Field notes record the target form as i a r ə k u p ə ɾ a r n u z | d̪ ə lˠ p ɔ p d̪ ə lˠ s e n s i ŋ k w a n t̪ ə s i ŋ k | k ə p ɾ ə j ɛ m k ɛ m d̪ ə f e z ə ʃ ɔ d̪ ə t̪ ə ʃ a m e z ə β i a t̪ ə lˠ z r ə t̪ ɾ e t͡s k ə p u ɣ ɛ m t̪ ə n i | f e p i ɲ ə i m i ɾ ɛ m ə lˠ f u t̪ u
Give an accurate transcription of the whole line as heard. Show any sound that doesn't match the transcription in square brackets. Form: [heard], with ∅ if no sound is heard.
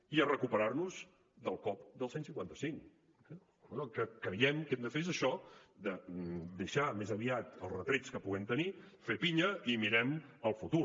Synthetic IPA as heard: i [ə] r ə k u p ə ɾ a r n u z | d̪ ə lˠ [k] ɔ p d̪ ə lˠ s e n s i ŋ k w a n t̪ ə s i ŋ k | k ə [k] ɾ ə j ɛ m k ɛ m d̪ ə f e z ə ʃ ɔ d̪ ə [d̪] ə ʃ a m e z ə β i a t̪ ə lˠ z r ə t̪ ɾ e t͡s k ə p u ɣ ɛ m t̪ ə n i | f e p i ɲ ə i m i ɾ ɛ m ə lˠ f u t̪ u